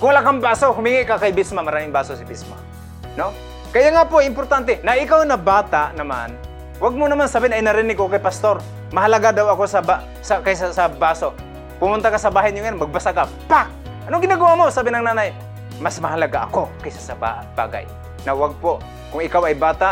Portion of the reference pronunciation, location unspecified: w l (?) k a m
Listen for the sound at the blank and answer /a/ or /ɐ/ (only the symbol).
a